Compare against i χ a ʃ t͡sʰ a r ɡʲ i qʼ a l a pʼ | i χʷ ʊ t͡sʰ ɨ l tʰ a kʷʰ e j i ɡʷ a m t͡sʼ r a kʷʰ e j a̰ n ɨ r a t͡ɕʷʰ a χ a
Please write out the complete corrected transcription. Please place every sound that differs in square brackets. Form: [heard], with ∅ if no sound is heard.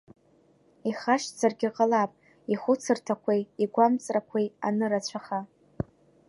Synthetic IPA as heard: i χ a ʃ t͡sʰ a r ɡʲ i qʼ a l a pʼ | i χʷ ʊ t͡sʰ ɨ [r] tʰ a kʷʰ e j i ɡʷ a m t͡sʼ r a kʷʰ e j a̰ n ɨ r a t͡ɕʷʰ a χ a